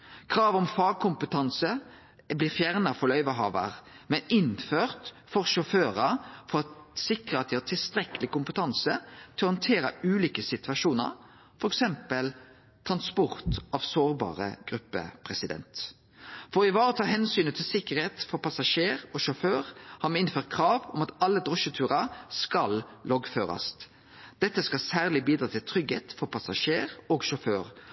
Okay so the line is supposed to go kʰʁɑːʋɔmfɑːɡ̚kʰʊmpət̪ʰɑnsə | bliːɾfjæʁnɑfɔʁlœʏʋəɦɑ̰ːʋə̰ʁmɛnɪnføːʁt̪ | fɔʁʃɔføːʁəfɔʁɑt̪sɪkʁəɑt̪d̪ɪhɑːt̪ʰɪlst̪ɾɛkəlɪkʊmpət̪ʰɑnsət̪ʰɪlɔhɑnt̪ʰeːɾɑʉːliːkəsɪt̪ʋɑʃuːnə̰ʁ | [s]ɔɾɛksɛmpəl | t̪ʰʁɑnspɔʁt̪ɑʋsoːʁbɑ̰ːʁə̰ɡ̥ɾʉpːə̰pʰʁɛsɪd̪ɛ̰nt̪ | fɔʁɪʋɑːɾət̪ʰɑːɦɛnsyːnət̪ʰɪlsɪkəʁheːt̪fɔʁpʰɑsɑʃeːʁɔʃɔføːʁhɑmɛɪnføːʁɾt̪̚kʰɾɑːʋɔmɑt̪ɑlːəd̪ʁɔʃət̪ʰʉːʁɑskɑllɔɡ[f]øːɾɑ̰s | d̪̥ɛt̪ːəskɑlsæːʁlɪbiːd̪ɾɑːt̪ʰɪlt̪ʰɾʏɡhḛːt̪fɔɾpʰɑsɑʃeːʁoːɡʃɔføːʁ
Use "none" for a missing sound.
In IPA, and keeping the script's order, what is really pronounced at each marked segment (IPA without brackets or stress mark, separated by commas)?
f, f